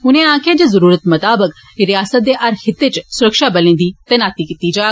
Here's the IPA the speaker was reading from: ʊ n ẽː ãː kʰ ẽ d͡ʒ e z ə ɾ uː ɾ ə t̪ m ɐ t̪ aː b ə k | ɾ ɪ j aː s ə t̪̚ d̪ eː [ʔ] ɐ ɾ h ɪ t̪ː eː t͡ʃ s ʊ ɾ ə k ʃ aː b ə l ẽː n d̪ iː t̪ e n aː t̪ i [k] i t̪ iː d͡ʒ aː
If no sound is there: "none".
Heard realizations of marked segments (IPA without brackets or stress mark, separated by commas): ʔ, k